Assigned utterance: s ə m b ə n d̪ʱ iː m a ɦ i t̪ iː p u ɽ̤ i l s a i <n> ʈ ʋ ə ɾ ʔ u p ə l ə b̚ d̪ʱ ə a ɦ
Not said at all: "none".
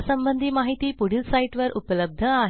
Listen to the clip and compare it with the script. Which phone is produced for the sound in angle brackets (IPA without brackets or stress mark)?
none